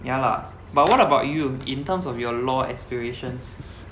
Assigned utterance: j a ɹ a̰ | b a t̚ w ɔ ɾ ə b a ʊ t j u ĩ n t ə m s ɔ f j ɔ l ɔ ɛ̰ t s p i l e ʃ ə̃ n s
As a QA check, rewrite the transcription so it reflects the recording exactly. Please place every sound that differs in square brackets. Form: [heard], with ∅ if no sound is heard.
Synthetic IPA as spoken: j a [l] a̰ | b a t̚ w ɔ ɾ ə b a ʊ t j u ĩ n t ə m s ɔ f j ɔ l ɔ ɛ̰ [k] s p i [ɹ] e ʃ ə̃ n s